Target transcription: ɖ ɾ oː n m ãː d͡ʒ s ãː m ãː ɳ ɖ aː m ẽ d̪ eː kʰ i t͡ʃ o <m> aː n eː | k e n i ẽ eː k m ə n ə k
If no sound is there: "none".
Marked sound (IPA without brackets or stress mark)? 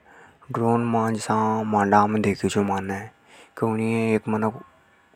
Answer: m